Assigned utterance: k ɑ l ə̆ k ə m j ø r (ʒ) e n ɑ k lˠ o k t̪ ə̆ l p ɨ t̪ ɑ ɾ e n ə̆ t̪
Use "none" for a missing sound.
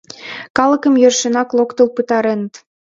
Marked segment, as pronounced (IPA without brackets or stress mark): ʃ